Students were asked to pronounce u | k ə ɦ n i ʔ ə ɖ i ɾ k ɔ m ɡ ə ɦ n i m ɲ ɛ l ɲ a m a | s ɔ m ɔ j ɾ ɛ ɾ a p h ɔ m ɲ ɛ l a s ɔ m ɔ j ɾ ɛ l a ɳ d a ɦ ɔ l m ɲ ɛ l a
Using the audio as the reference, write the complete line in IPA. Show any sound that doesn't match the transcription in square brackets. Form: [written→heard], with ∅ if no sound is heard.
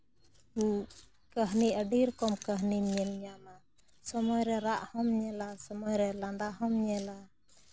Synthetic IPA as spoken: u | k ə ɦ n i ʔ ə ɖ i ɾ k ɔ m [ɡ→k] ə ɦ n i m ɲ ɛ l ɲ a m a | s ɔ m ɔ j ɾ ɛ ɾ a [p→ʔ] h ɔ m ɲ ɛ l a s ɔ m ɔ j ɾ ɛ l a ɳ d a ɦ ɔ [l→∅] m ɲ ɛ l a